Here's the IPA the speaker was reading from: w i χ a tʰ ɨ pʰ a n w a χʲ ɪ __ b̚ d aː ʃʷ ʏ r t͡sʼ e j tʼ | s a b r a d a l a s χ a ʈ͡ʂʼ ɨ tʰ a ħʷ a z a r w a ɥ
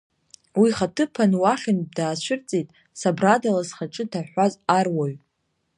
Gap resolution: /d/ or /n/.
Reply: n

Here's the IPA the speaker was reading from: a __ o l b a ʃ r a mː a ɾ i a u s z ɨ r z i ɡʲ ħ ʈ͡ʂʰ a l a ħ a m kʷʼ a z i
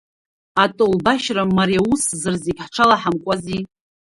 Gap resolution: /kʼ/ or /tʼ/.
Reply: tʼ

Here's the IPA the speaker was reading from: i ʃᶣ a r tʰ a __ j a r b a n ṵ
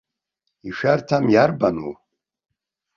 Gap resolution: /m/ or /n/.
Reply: m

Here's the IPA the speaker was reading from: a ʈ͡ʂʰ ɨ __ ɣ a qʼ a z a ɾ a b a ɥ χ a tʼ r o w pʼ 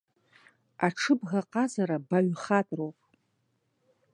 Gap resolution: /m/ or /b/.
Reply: b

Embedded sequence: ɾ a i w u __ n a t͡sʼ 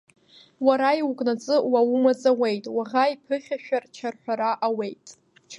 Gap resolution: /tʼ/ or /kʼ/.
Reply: kʼ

